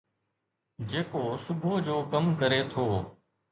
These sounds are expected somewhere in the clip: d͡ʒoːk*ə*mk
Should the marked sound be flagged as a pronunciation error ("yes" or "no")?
no